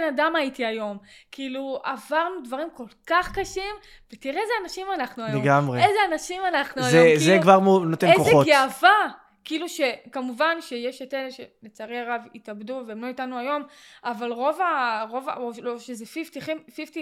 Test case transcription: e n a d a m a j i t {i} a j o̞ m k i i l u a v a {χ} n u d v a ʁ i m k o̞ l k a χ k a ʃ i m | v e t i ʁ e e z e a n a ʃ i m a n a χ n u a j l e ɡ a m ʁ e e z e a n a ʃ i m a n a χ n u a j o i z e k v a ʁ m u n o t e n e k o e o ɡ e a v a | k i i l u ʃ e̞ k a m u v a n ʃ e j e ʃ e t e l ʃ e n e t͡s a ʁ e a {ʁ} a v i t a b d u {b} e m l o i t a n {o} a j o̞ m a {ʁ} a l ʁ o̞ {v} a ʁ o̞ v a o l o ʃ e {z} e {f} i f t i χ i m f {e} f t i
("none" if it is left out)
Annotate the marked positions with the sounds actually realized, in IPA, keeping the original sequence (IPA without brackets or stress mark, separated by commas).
i, ʁ, ʁ, v, u, v, v, z, f, i